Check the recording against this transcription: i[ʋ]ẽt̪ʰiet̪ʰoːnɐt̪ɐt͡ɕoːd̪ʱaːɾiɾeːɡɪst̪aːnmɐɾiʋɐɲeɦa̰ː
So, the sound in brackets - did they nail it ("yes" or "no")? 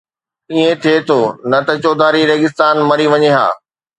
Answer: no